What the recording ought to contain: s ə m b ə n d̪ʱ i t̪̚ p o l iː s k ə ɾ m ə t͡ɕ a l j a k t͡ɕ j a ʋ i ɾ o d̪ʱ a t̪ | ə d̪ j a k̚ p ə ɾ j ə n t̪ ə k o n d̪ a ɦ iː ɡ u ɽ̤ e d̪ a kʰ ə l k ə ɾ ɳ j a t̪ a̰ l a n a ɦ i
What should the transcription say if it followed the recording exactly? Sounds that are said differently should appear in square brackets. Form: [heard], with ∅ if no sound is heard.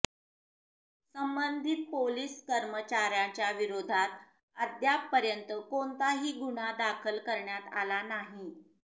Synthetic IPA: s ə m b ə n d̪ʱ i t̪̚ p o l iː s k ə ɾ m ə t͡ɕ a [ɾ] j a [∅] t͡ɕ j a ʋ i ɾ o d̪ʱ a t̪ | ə d̪ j a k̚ p ə ɾ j ə n t̪ ə k o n [t̪] a ɦ iː ɡ u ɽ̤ [a] d̪ a kʰ ə l k ə ɾ ɳ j a t̪ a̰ l a n a ɦ i